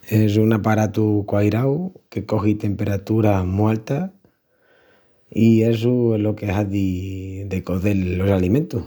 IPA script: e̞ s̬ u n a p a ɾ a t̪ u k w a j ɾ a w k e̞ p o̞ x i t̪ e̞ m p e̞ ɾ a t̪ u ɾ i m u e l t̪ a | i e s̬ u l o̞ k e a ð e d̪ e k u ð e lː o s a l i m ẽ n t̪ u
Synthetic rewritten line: e̞ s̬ u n a p a ɾ a t̪ u k w a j ɾ a w k e̞ k o̞ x i t̪ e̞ m p e̞ ɾ a t̪ u ɾ a m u a l t̪ a | i e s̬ u l o̞ k e a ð i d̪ e k o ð e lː o s a l i m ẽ n t̪ u